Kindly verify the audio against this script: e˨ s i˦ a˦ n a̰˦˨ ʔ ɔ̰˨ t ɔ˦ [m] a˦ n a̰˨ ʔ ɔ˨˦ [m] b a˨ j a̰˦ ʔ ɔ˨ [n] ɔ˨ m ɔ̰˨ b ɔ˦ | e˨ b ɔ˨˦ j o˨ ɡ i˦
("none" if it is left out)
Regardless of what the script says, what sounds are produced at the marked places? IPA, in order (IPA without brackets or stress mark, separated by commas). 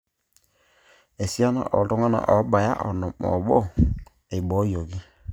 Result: ŋ, none, n